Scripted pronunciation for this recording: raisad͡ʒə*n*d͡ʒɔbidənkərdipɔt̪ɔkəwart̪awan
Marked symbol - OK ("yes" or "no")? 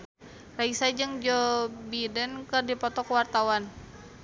no